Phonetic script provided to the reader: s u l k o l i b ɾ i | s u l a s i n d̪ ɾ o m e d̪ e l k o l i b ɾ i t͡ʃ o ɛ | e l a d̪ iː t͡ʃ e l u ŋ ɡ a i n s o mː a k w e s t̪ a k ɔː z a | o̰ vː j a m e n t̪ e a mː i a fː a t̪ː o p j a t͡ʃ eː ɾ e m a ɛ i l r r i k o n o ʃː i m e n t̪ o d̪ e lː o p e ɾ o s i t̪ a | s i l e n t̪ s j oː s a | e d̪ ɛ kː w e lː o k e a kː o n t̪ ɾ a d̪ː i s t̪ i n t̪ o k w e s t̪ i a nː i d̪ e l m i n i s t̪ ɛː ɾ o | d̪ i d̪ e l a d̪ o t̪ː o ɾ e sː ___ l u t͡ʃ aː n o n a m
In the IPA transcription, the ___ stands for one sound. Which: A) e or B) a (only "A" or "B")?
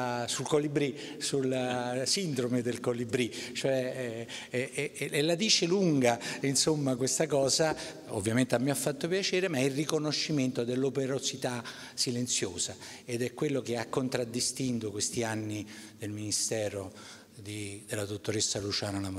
B